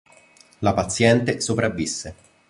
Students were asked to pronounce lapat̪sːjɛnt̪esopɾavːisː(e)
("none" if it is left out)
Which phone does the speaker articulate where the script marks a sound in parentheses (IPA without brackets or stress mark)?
e